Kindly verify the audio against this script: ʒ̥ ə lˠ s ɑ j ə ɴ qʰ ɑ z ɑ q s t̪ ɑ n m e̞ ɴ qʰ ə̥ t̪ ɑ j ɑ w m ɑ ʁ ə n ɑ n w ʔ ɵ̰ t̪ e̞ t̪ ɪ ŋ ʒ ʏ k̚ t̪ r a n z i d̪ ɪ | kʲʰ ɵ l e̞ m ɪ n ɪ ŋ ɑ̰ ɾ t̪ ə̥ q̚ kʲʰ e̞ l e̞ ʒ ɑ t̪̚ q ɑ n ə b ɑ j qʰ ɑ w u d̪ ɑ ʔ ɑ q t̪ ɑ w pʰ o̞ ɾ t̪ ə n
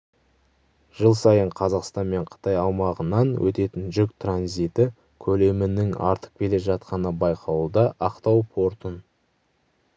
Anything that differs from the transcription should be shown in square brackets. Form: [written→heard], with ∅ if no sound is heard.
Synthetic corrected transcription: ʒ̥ ə lˠ s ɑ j ə ɴ qʰ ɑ z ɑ q s t̪ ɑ n m e̞ ɴ qʰ ə̥ t̪ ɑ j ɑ w m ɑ ʁ ə n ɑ n w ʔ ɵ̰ t̪ e̞ t̪ ɪ [ŋ→n] ʒ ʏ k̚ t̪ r a n z i [d̪→t̪] ɪ | kʲʰ ɵ l e̞ m ɪ n ɪ ŋ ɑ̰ ɾ t̪ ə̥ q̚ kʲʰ e̞ l e̞ ʒ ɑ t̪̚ q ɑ n ə b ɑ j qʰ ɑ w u d̪ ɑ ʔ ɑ q t̪ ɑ w pʰ o̞ ɾ t̪ ə n